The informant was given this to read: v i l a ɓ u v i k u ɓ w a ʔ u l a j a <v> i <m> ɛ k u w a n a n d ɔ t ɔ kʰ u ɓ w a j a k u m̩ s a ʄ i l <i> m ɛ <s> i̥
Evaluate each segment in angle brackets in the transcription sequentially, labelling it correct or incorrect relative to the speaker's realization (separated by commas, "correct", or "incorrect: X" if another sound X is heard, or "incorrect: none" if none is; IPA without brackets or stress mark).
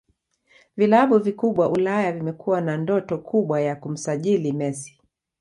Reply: correct, correct, correct, correct